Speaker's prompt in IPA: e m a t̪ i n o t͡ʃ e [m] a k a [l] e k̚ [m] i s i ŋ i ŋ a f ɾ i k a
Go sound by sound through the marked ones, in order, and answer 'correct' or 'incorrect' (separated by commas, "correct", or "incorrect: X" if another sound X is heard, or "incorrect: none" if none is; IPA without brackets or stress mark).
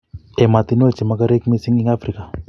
correct, incorrect: ɾ, correct